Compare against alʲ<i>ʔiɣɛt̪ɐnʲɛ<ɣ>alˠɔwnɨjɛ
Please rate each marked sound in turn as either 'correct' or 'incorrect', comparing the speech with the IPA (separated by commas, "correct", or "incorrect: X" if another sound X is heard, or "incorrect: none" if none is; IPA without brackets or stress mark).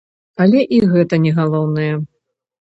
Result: incorrect: ɛ, correct